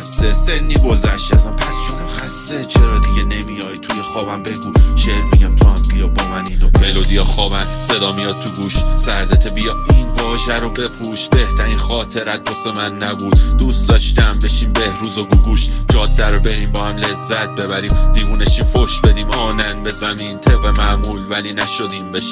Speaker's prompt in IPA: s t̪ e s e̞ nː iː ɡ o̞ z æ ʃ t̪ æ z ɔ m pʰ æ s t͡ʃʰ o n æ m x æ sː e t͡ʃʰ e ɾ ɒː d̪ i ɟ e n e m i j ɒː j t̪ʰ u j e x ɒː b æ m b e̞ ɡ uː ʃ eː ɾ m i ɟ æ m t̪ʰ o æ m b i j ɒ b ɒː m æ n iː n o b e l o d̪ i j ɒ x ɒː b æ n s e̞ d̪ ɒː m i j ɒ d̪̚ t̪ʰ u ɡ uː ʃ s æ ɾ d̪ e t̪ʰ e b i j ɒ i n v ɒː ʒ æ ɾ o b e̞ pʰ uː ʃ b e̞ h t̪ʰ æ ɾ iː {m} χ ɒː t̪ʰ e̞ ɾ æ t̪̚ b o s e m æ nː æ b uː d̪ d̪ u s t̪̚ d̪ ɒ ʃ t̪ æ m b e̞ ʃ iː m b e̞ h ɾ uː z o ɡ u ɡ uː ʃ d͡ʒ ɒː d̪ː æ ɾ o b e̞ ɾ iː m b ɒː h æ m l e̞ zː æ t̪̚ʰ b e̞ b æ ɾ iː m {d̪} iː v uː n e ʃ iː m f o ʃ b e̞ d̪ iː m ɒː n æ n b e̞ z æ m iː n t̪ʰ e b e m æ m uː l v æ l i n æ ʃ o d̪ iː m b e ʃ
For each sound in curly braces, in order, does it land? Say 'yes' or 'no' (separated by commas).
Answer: no, yes